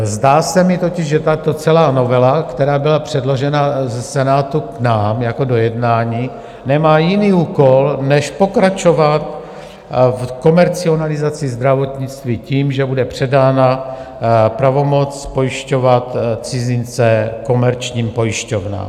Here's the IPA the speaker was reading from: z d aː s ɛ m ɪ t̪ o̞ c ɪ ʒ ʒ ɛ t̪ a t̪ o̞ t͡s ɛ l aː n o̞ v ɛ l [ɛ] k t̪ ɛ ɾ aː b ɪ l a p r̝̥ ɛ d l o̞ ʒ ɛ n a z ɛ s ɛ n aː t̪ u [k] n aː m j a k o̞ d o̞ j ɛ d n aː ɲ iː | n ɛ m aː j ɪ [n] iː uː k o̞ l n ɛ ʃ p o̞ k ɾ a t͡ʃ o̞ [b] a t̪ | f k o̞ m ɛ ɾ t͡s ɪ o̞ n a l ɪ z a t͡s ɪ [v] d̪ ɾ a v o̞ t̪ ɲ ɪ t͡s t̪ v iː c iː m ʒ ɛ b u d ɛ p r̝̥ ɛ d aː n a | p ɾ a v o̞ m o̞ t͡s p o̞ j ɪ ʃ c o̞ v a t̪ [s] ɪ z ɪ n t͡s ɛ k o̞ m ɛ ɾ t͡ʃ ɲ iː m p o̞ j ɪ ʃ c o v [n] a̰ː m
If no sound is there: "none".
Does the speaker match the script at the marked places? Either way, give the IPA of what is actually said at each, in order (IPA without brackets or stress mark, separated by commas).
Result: a, k, n, v, z, t͡s, n